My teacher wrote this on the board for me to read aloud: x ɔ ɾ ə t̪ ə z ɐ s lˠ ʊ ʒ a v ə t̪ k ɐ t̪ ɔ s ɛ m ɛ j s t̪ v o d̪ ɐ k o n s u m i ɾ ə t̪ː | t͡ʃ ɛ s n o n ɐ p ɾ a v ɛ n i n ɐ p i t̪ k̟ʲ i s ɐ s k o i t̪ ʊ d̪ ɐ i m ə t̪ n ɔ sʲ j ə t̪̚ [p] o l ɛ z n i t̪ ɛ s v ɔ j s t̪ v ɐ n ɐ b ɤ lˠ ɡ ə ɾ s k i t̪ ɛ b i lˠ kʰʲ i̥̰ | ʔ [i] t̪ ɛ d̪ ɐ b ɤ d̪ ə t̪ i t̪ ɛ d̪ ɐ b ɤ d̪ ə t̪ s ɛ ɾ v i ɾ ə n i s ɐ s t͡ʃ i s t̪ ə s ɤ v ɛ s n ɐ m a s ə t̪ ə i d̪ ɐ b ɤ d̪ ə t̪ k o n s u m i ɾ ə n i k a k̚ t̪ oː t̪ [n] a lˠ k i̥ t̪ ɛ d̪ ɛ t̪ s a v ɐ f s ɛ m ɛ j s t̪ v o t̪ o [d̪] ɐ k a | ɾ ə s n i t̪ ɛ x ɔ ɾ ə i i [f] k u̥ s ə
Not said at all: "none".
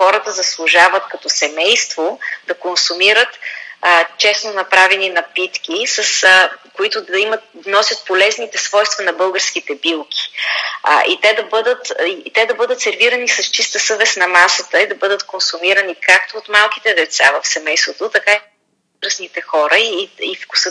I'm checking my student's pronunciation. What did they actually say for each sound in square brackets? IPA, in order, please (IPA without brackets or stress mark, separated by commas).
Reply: p, i, m, t̪, f